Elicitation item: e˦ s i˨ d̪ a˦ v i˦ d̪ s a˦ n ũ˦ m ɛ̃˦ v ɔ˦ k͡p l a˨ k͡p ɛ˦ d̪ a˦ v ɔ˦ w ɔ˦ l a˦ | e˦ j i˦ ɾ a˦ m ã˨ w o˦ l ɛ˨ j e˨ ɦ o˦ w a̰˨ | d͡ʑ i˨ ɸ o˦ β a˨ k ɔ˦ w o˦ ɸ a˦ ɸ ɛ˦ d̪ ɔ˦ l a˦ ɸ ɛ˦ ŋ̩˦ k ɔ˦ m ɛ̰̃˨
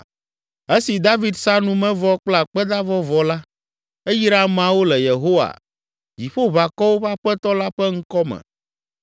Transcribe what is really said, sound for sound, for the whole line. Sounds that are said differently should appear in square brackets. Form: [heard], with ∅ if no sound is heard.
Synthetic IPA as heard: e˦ s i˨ d̪ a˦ v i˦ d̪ s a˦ n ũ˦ m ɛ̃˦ v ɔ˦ k͡p l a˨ k͡p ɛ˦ d̪ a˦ v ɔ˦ [v] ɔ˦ l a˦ | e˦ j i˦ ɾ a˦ m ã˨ w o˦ l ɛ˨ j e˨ ɦ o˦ w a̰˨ | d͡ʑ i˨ ɸ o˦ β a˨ k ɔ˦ w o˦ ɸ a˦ ɸ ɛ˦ [t̪] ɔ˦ l a˦ ɸ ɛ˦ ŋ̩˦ k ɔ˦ m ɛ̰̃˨